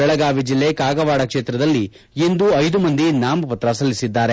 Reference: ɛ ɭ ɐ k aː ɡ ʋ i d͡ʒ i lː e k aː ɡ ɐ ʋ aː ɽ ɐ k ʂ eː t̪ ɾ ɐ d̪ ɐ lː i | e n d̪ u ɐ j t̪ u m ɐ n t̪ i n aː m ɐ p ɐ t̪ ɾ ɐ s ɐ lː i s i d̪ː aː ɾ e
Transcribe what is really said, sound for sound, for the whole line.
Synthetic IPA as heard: ɛ ɭ ɐ ɡ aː ʋ i d͡ʒ i lː e k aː ɡ ɐ ʋ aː ɽ ɐ k ʂ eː t̪ ɾ ɐ d̪ ɐ lː i | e n d̪ u ɐ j d̪ u m ɐ n d̪ i n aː m ɐ p ɐ t̪ ɾ ɐ s ɐ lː i s i d̪ː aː ɾ e